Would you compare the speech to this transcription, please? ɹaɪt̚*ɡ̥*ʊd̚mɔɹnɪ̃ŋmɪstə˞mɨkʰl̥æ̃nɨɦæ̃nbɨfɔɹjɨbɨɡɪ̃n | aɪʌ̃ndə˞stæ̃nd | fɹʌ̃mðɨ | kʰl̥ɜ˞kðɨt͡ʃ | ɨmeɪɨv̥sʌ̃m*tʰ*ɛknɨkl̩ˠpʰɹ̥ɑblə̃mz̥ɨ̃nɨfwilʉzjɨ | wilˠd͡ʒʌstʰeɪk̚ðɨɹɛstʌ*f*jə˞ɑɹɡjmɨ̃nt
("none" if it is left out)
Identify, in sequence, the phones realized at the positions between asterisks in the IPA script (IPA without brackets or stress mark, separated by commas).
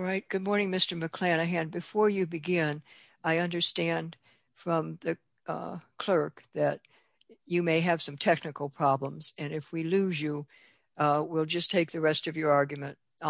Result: ɡ̥, tʰ, v